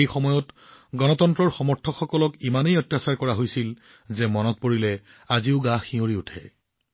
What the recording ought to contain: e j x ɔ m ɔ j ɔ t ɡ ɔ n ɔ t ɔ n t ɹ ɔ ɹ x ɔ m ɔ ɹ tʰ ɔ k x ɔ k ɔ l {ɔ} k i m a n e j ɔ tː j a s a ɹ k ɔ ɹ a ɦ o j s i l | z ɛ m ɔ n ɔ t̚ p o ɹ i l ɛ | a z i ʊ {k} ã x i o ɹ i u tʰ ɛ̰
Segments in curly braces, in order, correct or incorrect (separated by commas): correct, incorrect